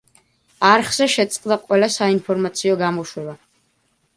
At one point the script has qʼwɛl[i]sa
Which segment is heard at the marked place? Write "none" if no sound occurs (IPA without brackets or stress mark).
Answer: a